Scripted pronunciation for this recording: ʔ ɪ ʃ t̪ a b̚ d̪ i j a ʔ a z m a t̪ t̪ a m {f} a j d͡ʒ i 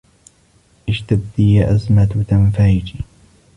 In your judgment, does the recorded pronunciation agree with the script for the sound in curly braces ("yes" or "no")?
yes